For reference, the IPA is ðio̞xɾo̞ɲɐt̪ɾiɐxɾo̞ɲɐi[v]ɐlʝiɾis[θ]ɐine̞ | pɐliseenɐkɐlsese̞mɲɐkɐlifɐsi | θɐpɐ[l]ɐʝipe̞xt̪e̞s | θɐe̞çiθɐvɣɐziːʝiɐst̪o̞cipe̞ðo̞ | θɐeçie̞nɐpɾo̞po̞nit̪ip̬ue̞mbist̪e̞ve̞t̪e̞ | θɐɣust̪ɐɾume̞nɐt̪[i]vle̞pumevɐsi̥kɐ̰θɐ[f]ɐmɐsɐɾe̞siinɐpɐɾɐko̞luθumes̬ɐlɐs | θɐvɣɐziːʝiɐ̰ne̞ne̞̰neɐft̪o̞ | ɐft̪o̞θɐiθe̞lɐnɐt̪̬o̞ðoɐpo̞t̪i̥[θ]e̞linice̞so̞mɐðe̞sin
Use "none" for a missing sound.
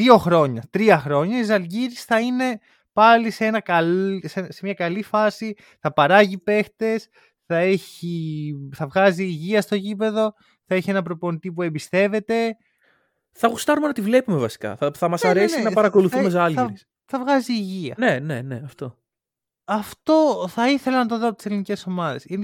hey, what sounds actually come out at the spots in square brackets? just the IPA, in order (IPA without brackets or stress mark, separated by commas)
z, θ, ɾ, i, θ, s